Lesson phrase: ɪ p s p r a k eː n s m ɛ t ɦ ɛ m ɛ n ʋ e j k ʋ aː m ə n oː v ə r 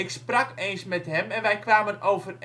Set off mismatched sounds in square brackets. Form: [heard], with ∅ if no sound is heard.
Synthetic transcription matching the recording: ɪ [k] s p r a k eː n s m ɛ t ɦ ɛ m ɛ n ʋ [ɛ] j k ʋ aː m ə n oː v ə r